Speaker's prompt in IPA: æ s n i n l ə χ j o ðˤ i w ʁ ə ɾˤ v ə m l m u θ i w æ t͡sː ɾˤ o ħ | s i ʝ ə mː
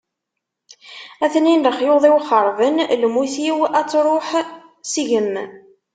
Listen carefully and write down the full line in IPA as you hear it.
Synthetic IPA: æ θ n i n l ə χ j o ðˤ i w χ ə ɾˤ v ə n l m u θ i w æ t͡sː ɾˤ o ħ | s i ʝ ə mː